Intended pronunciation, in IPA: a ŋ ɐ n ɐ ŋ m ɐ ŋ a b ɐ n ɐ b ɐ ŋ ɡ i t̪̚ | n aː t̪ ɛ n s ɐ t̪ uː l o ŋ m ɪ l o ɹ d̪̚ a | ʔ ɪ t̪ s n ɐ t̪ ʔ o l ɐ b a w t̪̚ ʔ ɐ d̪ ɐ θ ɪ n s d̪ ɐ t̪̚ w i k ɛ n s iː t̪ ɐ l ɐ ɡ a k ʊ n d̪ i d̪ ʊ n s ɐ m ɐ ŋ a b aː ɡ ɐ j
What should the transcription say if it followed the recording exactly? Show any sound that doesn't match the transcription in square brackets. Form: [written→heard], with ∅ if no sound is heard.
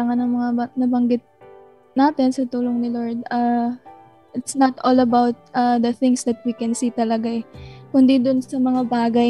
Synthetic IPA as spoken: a ŋ ɐ n ɐ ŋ m ɐ ŋ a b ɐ n ɐ b ɐ ŋ ɡ [i→ɪ] t̪̚ | n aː t̪ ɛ n s ɐ t̪ uː l o ŋ [m→n] ɪ l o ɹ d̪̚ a | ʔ ɪ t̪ s n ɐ t̪ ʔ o l ɐ b a w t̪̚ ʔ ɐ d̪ ɐ θ ɪ [n→ŋ] s d̪ ɐ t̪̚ w i k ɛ n s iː t̪ ɐ l ɐ ɡ a k ʊ n d̪ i d̪ ʊ n s ɐ m ɐ ŋ a b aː ɡ ɐ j